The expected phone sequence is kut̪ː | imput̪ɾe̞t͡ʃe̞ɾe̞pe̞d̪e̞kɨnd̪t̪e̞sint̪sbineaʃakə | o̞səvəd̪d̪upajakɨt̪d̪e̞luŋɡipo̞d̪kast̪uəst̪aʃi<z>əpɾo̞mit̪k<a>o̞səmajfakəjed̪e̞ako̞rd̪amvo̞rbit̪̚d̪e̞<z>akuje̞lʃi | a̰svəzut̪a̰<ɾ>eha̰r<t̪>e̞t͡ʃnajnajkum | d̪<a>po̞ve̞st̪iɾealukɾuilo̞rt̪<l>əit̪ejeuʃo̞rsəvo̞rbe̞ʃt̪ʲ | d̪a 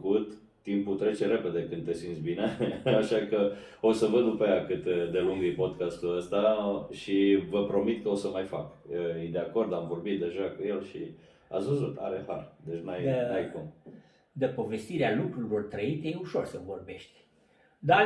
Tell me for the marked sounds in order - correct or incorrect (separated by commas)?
incorrect, incorrect, incorrect, correct, incorrect, incorrect, incorrect